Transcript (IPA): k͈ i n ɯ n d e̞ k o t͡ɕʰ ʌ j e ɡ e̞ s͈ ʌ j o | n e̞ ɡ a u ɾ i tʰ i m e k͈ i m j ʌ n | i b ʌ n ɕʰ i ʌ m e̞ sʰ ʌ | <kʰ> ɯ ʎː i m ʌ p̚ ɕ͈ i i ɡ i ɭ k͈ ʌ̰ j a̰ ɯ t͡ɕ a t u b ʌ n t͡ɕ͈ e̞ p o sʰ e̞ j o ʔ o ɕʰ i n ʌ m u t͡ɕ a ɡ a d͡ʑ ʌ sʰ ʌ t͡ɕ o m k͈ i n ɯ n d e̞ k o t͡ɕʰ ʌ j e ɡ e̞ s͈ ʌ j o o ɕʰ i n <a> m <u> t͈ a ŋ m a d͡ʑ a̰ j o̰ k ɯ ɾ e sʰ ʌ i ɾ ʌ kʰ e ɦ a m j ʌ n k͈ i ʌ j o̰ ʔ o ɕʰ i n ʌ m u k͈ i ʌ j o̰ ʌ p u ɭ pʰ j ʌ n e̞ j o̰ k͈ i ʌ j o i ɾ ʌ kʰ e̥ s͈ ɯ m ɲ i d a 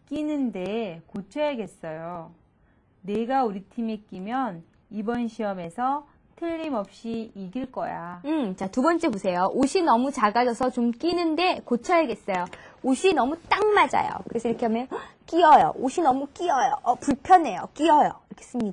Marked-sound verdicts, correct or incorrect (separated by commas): incorrect, incorrect, correct